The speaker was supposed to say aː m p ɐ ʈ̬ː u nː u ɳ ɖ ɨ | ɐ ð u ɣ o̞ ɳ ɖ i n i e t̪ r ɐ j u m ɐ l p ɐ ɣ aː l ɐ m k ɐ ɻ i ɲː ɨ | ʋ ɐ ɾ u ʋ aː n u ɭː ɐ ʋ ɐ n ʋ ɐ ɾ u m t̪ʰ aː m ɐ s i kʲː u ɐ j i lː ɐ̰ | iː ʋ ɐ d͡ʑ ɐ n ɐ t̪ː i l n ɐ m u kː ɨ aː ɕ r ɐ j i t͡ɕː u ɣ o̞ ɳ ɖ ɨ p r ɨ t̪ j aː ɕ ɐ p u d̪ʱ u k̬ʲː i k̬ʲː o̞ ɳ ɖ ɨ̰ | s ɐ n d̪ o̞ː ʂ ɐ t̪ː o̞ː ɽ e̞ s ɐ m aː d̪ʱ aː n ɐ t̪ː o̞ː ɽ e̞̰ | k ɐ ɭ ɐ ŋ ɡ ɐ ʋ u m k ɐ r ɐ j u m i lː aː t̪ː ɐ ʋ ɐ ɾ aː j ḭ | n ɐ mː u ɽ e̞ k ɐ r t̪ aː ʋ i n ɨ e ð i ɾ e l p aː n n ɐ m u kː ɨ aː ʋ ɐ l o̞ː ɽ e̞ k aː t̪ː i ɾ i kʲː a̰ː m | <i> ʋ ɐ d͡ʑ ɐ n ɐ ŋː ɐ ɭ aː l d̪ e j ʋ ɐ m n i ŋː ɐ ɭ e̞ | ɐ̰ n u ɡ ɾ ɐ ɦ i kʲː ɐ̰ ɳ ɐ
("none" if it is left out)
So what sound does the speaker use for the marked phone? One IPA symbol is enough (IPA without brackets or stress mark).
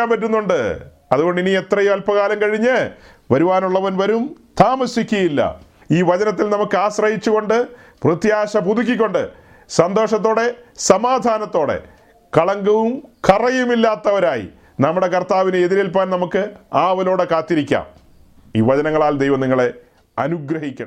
iː